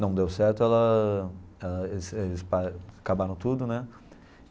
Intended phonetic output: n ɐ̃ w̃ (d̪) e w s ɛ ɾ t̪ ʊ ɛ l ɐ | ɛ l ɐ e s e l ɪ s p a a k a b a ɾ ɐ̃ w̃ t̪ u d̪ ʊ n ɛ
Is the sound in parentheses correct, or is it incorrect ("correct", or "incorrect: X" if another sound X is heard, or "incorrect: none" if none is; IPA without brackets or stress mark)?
correct